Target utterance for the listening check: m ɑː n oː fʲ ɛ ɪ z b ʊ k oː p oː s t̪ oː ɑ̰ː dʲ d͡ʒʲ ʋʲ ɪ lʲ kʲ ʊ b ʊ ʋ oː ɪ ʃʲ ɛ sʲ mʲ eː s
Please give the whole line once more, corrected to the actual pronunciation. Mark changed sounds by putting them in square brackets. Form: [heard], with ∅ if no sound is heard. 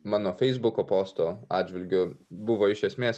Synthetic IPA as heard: m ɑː n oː fʲ ɛ ɪ z b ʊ k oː p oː s t̪ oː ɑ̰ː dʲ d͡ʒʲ ʋʲ ɪ lʲ [ɡʲ] ʊ b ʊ ʋ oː ɪ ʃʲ ɛ sʲ mʲ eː s